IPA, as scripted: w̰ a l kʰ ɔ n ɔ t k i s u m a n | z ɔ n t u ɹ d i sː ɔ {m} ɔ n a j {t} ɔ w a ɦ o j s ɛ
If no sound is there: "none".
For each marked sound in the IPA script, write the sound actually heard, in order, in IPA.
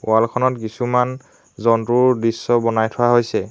b, tʰ

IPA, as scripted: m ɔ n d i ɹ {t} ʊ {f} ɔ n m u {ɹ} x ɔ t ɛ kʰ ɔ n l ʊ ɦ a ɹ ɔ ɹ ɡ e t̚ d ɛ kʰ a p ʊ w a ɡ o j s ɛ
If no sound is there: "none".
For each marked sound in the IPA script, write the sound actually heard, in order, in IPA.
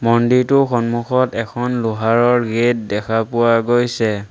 t, x, none

